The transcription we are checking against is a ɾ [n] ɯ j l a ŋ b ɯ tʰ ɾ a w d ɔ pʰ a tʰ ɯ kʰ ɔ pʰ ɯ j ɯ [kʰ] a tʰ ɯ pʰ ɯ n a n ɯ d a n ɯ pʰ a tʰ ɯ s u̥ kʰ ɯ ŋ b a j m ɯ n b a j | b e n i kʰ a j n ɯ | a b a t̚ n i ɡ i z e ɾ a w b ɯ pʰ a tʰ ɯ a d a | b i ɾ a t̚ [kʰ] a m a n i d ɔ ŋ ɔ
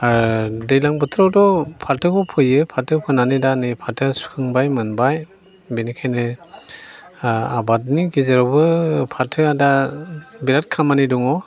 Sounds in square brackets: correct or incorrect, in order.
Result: incorrect: d, incorrect: pʰ, correct

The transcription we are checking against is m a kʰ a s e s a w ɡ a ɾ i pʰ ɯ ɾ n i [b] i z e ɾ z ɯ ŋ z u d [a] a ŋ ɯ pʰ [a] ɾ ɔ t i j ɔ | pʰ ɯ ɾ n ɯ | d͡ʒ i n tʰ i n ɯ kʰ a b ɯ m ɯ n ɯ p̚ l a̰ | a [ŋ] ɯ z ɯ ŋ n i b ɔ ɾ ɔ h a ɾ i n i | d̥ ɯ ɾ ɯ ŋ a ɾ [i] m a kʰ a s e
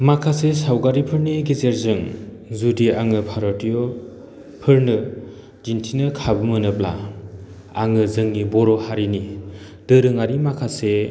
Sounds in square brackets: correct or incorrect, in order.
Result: incorrect: ɡ, incorrect: i, correct, correct, correct

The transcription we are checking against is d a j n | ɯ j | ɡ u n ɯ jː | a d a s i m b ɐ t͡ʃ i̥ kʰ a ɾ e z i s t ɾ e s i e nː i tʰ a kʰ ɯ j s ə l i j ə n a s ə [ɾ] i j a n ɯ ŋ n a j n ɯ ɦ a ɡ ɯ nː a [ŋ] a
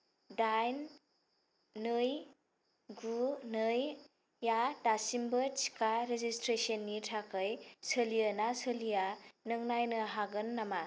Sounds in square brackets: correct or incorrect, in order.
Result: incorrect: l, incorrect: m

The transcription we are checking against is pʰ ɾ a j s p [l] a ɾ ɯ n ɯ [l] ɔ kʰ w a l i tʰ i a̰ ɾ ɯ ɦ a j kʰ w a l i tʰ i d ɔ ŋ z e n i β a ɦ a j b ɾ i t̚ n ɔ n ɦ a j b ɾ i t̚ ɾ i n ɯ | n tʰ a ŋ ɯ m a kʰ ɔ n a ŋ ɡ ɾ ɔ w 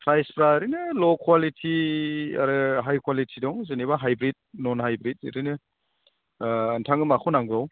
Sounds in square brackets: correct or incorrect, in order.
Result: incorrect: ɾ, correct

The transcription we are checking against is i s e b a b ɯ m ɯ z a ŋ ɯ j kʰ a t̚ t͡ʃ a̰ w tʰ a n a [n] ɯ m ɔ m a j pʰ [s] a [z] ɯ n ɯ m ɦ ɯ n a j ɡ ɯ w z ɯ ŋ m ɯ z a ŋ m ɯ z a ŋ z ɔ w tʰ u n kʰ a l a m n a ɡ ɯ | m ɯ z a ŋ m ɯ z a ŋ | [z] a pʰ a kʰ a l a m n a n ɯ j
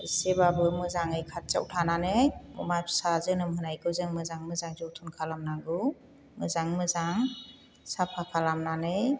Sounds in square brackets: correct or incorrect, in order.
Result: correct, correct, correct, incorrect: s

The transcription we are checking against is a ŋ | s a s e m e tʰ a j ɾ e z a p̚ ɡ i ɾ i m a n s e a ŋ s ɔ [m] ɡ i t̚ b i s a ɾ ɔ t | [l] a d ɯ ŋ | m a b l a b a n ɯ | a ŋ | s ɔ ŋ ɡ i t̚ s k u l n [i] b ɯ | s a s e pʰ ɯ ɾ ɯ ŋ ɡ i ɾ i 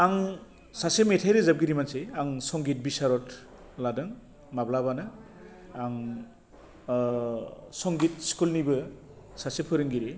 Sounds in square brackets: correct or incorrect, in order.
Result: incorrect: ŋ, correct, correct

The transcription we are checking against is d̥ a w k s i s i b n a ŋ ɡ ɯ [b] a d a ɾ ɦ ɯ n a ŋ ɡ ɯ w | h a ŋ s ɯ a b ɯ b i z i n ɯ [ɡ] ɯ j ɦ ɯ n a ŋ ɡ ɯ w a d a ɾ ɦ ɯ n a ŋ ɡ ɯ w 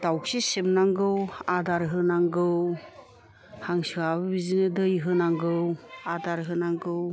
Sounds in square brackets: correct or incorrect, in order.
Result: incorrect: w, incorrect: d

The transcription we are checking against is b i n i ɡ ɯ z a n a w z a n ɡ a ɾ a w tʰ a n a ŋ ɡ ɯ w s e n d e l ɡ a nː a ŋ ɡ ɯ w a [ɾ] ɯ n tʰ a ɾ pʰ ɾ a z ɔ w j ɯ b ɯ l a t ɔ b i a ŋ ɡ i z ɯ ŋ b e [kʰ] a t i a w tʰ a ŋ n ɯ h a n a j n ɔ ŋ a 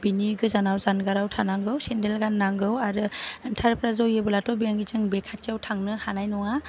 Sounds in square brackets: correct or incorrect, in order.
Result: correct, correct

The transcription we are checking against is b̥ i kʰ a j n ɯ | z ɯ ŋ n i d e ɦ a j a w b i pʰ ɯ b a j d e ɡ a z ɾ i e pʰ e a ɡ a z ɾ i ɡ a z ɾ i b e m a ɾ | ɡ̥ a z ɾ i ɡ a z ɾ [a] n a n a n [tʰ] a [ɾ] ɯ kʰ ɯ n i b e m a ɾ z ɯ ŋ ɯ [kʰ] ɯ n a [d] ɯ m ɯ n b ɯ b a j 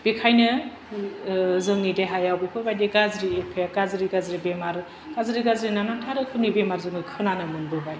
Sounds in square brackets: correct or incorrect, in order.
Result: incorrect: i, correct, correct, correct, incorrect: n

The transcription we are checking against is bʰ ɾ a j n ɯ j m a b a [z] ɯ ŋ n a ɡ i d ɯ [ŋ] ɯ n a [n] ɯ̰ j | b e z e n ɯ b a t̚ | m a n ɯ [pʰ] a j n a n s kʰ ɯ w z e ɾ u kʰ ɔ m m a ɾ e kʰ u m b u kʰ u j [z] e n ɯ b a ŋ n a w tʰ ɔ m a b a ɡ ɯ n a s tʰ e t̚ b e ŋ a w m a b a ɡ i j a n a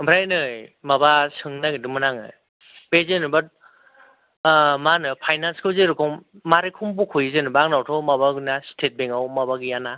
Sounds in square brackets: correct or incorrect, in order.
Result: incorrect: s, incorrect: m, incorrect: ŋ, correct, correct

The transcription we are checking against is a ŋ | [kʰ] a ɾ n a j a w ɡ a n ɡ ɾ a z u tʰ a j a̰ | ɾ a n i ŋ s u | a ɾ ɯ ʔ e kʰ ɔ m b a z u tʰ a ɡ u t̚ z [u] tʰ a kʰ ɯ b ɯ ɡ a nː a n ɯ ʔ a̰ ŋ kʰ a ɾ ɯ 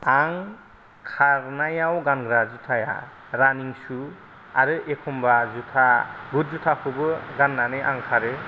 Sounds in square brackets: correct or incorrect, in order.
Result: correct, correct

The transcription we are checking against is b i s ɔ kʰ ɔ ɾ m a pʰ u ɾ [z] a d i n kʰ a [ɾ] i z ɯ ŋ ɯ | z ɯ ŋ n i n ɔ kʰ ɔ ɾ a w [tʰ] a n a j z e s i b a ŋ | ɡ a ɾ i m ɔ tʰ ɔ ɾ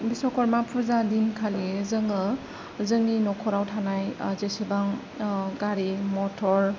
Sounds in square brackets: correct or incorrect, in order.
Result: correct, incorrect: l, correct

